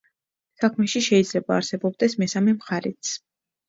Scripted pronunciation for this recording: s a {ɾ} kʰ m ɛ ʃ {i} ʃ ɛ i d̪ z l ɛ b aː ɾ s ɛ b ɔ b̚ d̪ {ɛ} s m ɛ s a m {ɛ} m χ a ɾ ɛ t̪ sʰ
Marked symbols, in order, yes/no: no, yes, yes, yes

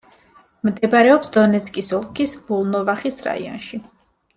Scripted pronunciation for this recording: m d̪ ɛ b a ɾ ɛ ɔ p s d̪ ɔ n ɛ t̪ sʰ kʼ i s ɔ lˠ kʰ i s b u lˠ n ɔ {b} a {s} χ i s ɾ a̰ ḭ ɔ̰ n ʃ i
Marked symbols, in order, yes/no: no, no

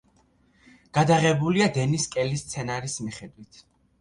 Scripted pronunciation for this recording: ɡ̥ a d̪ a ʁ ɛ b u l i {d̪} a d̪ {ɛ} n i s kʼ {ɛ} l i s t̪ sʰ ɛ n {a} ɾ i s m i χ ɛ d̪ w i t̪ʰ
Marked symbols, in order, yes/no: no, yes, yes, yes

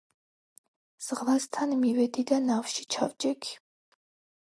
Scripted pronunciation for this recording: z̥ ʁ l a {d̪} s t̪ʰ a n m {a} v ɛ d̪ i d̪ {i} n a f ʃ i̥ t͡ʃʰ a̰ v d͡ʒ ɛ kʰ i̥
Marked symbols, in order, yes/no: no, no, no

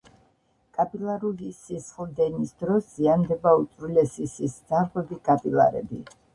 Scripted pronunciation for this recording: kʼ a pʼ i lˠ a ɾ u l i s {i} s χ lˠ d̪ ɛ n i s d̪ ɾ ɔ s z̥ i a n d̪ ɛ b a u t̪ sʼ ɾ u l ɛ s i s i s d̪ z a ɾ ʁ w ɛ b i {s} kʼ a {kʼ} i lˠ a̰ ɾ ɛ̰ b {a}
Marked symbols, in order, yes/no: yes, no, no, no

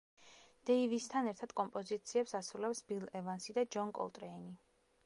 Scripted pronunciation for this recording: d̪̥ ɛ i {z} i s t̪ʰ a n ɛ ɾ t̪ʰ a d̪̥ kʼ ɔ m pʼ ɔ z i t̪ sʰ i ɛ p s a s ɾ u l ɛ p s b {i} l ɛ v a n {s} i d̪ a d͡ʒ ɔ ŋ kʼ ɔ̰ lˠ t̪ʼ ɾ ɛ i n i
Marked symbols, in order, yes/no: no, yes, yes

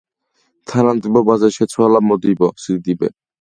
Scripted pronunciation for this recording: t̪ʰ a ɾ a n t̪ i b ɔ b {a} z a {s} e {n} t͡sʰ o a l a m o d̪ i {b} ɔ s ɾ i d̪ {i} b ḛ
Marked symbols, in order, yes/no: yes, no, no, yes, yes

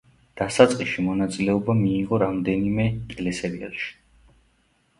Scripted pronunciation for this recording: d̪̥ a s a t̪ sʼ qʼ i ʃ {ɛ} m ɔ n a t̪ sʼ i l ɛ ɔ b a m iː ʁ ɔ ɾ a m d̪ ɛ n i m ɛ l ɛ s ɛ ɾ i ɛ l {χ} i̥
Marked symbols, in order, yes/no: no, no

